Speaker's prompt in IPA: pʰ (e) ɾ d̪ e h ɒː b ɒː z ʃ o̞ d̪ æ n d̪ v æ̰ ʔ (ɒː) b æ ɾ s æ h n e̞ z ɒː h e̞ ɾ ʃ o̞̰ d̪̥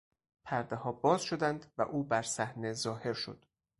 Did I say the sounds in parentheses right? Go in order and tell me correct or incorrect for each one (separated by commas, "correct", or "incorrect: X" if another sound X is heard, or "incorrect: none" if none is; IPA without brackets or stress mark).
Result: incorrect: æ, incorrect: uː